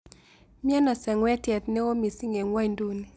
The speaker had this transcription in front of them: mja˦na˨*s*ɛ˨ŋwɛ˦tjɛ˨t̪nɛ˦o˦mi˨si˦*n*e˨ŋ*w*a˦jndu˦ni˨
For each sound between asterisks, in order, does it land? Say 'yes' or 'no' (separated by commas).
yes, no, yes